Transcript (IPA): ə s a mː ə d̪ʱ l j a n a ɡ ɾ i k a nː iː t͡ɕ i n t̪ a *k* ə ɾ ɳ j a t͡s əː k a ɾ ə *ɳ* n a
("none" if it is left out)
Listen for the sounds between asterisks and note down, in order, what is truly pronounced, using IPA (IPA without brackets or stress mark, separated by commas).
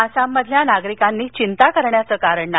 k, ɳ